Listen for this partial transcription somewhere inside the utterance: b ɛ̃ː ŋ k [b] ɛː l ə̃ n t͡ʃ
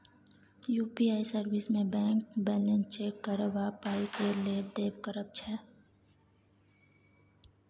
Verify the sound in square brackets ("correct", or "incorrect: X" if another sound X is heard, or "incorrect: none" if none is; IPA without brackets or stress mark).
correct